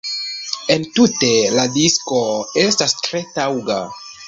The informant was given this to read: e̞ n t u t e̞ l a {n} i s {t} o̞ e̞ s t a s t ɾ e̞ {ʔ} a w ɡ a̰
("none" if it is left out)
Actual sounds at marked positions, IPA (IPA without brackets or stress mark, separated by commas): d, k, t